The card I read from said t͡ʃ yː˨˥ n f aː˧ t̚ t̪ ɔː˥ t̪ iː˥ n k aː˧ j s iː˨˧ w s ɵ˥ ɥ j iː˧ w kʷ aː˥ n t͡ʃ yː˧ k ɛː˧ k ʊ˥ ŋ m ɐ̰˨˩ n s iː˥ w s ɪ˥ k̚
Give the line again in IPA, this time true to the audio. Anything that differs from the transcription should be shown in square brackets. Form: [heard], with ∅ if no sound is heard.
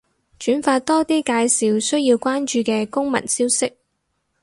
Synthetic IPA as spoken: t͡ʃ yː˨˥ n f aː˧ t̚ t̪ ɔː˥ t̪ iː˥ [∅] k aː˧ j s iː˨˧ w s ɵ˥ ɥ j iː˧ w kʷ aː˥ n t͡ʃ yː˧ k ɛː˧ k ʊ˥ ŋ m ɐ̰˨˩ n s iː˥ w s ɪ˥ k̚